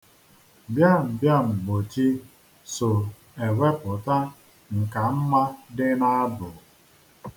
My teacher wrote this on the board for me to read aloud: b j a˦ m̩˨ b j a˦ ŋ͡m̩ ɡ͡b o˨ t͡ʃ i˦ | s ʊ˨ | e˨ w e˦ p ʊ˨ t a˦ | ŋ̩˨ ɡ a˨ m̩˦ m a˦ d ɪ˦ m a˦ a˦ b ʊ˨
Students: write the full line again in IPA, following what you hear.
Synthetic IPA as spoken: b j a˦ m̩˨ b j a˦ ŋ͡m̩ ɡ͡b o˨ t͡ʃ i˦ | s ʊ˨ | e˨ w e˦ p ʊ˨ t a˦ | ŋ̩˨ k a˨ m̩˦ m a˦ d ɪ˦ n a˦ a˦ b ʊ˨